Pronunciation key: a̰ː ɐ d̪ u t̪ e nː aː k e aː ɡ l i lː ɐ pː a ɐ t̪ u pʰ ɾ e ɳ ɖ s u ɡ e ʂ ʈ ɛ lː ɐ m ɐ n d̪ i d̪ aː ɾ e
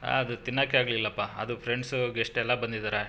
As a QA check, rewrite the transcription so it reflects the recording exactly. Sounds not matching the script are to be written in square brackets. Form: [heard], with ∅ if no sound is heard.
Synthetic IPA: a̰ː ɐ d̪ u t̪ [i] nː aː k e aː ɡ l i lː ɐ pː a ɐ [d̪] u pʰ ɾ e ɳ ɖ s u ɡ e ʂ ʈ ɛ lː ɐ [b] ɐ n d̪ i d̪ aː ɾ e